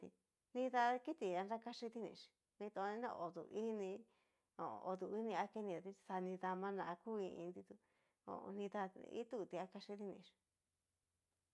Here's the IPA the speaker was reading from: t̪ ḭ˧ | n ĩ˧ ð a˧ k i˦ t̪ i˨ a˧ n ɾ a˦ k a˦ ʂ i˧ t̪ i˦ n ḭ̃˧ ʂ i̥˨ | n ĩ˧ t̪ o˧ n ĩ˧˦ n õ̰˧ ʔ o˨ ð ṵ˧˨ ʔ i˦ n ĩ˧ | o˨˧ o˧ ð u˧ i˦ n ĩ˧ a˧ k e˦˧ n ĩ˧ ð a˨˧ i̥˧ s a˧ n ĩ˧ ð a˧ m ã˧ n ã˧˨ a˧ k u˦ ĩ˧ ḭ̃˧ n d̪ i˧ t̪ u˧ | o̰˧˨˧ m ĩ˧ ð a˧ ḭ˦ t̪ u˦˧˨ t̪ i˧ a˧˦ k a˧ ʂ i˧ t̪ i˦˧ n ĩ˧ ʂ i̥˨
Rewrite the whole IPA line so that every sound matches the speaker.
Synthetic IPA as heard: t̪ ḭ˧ | n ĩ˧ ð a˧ k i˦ t̪ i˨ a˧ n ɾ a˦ k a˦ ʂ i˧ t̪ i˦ n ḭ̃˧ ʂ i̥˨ | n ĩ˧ t̪ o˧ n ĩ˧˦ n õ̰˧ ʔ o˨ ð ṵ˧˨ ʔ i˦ n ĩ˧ | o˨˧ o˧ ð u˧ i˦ n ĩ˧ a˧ k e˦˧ n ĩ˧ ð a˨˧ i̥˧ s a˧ n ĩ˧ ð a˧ m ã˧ n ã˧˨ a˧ k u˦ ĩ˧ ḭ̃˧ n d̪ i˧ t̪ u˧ | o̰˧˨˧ n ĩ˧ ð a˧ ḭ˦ t̪ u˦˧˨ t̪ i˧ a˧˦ k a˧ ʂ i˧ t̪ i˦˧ n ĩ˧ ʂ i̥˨